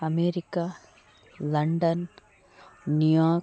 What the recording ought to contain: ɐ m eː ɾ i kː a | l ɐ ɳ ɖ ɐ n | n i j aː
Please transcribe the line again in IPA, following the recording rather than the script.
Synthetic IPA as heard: ɐ m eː ɾ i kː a | l ɐ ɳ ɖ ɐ n | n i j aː

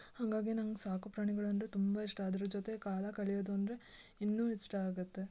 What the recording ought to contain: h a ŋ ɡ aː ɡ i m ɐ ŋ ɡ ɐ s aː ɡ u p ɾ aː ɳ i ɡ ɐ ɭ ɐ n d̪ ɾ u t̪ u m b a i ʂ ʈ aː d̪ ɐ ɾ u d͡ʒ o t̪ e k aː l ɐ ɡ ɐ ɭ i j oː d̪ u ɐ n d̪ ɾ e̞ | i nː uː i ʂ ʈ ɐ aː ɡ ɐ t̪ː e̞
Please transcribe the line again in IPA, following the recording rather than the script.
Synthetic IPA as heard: h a ŋ ɡ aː ɡ i n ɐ ŋ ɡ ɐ s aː k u p ɾ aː ɳ i ɡ ɐ ɭ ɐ n d̪ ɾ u t̪ u m b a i ʂ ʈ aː d̪ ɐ ɾ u d͡ʒ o t̪ e k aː l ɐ k ɐ ɭ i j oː d̪ u ɐ n d̪ ɾ e̞ | i nː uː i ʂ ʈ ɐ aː ɡ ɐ t̪ː e̞

